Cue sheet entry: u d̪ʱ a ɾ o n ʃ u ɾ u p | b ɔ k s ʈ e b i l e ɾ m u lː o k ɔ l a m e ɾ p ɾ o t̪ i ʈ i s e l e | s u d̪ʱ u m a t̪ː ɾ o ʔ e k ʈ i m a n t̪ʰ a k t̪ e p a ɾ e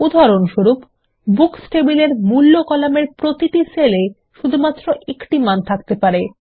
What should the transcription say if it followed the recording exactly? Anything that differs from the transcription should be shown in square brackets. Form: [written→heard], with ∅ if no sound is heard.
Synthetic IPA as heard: u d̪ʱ a ɾ o n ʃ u ɾ u p | b [ɔ→u] k s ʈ e b i l e ɾ m u lː o k ɔ l a m e ɾ p ɾ o t̪ i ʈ i s e l e | [s→ʃ] u d̪ʱ u m a t̪ː ɾ o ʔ e k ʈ i m a n t̪ʰ a k t̪ e p a ɾ e